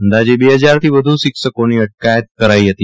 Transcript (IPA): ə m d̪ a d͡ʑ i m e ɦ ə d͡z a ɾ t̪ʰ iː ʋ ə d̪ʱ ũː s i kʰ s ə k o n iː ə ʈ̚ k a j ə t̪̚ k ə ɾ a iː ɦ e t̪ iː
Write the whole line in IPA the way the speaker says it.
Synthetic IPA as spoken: ə n d̪ a d͡ʑ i b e ɦ ə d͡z a ɾ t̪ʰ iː ʋ ə d̪ʱ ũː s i k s ə k o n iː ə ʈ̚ k a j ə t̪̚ k ə ɾ a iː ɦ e t̪ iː